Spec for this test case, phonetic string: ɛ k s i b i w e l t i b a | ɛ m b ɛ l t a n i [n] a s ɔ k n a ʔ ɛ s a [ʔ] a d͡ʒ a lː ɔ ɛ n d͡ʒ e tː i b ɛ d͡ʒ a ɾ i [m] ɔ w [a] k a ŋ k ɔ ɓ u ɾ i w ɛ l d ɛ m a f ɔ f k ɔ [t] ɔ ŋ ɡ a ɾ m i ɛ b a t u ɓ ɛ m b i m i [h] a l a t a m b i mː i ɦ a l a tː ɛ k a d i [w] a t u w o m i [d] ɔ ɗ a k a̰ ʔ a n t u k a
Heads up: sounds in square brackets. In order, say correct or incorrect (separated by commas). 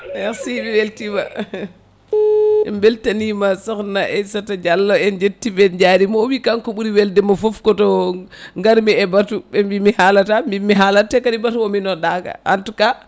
incorrect, incorrect, correct, incorrect, correct, correct, incorrect, incorrect